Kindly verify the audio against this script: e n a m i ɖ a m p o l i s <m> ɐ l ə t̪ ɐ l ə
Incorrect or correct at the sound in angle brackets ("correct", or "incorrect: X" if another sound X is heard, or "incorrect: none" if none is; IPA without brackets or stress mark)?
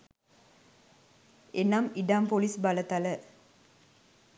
incorrect: b